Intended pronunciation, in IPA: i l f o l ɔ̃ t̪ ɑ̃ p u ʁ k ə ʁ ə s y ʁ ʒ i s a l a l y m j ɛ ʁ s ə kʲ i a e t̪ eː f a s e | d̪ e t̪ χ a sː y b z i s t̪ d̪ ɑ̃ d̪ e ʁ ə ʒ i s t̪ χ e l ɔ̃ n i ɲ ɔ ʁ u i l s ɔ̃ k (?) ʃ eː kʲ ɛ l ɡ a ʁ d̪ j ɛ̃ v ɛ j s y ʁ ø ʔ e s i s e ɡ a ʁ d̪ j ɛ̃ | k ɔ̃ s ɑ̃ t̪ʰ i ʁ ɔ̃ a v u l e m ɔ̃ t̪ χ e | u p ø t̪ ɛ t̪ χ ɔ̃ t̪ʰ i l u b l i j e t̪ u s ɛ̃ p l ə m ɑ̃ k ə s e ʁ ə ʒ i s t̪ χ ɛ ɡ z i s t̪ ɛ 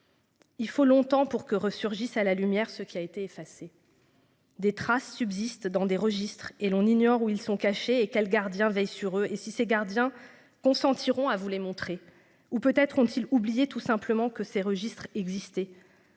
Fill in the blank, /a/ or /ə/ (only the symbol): a